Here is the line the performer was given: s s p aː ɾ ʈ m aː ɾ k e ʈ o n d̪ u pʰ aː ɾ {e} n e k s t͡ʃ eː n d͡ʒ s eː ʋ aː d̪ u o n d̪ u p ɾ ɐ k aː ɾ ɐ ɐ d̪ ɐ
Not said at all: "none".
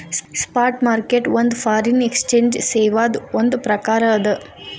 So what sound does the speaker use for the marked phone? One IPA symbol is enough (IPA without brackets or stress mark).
i